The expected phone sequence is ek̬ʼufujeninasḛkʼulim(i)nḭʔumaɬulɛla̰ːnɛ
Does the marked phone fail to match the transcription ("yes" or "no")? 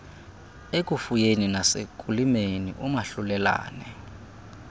yes